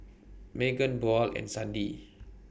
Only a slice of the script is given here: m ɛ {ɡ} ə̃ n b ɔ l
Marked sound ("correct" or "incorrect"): correct